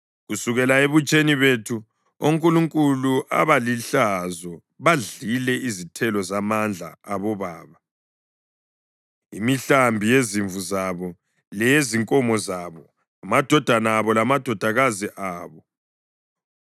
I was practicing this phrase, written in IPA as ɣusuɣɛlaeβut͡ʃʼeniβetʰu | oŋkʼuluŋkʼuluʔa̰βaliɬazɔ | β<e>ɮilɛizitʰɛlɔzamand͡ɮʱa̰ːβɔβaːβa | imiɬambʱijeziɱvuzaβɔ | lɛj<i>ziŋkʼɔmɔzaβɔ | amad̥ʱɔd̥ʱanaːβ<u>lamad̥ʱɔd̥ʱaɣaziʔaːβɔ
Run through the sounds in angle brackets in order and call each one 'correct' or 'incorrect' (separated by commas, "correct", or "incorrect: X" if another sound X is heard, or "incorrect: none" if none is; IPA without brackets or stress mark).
incorrect: a, incorrect: e, incorrect: ɔ